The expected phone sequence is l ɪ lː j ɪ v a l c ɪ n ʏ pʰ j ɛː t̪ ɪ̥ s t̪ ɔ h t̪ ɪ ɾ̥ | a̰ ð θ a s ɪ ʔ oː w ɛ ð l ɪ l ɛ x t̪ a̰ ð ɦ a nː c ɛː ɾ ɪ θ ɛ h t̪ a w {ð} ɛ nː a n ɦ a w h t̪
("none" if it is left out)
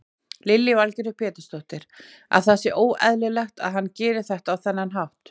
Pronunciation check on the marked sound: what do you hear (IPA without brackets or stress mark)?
θ